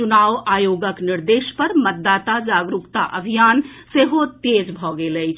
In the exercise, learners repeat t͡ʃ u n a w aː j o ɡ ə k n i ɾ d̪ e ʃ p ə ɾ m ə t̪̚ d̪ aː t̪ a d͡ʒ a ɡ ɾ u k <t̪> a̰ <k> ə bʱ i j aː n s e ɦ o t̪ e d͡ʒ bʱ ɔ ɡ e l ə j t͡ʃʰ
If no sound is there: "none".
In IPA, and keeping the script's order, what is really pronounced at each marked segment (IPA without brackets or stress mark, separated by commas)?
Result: t̪, ʔ